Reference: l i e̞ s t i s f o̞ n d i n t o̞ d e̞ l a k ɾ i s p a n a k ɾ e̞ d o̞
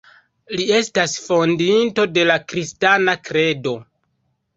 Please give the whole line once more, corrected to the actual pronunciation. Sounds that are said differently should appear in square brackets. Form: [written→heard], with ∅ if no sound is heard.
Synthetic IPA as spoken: l i e̞ s t [i→a] s f o̞ n d i n t o̞ d e̞ l a k ɾ i s [p→t] a n a k ɾ e̞ d o̞